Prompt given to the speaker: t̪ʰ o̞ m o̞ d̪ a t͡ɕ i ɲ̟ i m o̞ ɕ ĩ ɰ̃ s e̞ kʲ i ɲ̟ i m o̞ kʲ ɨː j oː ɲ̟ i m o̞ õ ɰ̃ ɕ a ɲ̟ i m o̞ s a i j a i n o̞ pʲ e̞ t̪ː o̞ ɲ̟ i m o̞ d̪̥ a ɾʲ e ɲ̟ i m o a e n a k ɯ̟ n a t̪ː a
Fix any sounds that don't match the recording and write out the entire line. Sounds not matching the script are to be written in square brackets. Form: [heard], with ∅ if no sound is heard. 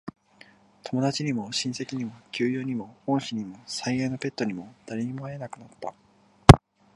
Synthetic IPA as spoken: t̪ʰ o̞ m o̞ d̪ a t͡ɕ i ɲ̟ i m o̞ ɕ ĩ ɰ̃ s e̞ kʲ i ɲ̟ i m o̞ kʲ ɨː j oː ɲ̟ i m o̞ õ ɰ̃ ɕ [i] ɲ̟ i m o̞ s a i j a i n o̞ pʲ e̞ t̪ː o̞ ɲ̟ i m o̞ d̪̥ a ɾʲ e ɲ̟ i m o a e n a k ɯ̟ n a t̪ː a

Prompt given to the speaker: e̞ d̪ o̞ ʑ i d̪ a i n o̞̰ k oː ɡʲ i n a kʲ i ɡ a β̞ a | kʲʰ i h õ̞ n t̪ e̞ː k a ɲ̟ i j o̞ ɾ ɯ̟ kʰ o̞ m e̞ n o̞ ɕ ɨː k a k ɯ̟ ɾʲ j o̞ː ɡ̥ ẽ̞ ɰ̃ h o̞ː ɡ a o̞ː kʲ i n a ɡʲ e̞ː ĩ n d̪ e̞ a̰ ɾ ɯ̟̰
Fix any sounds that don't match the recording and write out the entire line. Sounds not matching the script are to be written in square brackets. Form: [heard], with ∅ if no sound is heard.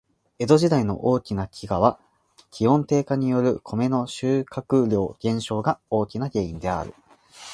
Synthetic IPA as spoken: e̞ d̪ o̞ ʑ i d̪ a i n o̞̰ [ʔ] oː [kʲ] i n a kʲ i ɡ a β̞ a | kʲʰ i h õ̞ n t̪ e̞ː k a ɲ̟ i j o̞ ɾ ɯ̟ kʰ o̞ m e̞ n o̞ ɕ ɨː k a k ɯ̟ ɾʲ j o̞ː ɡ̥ ẽ̞ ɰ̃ [ɕ] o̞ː ɡ a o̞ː kʲ i n a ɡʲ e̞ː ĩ n d̪ e̞ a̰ ɾ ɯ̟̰

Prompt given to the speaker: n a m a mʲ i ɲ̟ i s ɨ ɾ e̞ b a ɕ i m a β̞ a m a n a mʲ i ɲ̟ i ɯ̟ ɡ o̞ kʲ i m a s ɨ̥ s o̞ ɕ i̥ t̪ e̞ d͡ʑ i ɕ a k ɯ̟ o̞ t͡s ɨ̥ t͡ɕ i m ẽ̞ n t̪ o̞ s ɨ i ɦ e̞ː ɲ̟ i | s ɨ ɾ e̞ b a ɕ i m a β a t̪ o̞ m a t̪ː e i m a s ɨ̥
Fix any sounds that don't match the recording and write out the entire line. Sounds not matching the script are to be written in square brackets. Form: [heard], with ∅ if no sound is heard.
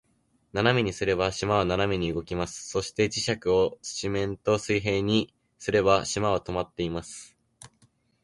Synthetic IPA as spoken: n a [n] a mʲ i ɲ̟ i s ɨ ɾ e̞ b a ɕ i m a β̞ a [n] a n a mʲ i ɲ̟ i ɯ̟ ɡ o̞ kʲ i m a s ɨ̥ s o̞ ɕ i̥ t̪ e̞ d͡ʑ i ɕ a k ɯ̟ o̞ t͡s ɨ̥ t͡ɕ i m ẽ̞ n t̪ o̞ s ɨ i ɦ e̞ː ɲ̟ i | s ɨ ɾ e̞ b a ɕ i m a β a t̪ o̞ m a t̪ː e i m a s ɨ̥

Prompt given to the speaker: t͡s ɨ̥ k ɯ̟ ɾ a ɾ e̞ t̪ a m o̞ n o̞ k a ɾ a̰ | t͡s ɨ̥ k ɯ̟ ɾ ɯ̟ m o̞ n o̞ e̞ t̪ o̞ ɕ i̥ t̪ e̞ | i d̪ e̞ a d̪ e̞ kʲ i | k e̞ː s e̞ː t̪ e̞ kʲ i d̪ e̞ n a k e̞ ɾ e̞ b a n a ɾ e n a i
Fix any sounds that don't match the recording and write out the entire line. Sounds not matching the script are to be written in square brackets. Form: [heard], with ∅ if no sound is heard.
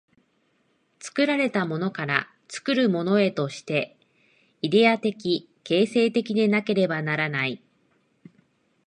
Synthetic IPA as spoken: t͡s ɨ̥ k ɯ̟ ɾ a ɾ e̞ t̪ a m o̞ n o̞ k a ɾ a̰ | t͡s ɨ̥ k ɯ̟ ɾ ɯ̟ m o̞ n o̞ e̞ t̪ o̞ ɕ i̥ t̪ e̞ | i d̪ e̞ a [t̪] e̞ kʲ i | k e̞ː s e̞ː t̪ e̞ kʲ i d̪ e̞ n a k e̞ ɾ e̞ b a n a ɾ [a] n a i

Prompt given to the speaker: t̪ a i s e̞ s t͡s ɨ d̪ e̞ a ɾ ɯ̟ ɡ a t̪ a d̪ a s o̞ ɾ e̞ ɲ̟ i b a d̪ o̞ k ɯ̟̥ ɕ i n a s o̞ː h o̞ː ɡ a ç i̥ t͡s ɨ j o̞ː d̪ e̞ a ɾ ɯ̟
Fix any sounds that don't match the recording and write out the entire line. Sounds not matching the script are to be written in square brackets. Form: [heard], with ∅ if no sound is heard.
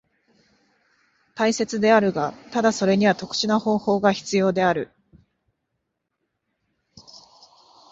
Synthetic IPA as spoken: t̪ a i s e̞ [∅] t͡s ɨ d̪ e̞ a ɾ ɯ̟ ɡ a t̪ a d̪ a s o̞ ɾ e̞ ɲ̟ i [β] a [t̪] o̞ k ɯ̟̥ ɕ i n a [h] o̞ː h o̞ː ɡ a ç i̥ t͡s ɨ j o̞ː d̪ e̞ a ɾ ɯ̟

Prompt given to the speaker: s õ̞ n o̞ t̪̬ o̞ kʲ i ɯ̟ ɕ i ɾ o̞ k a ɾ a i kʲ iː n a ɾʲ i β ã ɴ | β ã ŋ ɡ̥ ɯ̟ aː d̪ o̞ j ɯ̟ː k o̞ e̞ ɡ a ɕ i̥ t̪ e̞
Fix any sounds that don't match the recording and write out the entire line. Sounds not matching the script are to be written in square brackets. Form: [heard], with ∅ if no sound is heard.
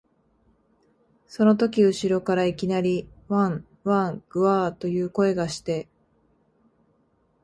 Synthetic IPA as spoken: s [o̞] n o̞ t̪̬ o̞ kʲ i ɯ̟ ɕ i ɾ o̞ k a ɾ a i kʲ [i] n a ɾʲ i β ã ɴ | β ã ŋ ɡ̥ ɯ̟ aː [t̪] o̞ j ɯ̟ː k o̞ e̞ ɡ a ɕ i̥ t̪ e̞

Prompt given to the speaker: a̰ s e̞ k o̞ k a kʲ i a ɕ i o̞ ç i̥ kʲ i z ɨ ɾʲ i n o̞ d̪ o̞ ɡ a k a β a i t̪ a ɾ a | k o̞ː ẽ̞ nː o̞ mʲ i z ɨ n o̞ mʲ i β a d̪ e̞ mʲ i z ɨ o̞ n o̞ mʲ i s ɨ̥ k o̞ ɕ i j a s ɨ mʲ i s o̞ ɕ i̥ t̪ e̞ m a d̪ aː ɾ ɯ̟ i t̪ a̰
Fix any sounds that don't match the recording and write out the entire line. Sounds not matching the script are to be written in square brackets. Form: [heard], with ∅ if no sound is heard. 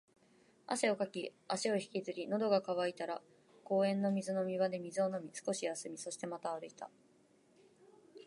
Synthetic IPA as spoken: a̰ s e̞ [∅] o̞ k a kʲ i a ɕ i o̞ ç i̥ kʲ i z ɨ ɾʲ i n o̞ d̪ o̞ ɡ a k a β a i t̪ a ɾ a | k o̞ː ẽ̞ nː o̞ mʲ i z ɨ n o̞ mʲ i β a d̪ e̞ mʲ i z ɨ o̞ n o̞ mʲ i s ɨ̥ k o̞ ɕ i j a s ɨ mʲ i s o̞ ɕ i̥ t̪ e̞ m a [t̪] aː ɾ ɯ̟ i t̪ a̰

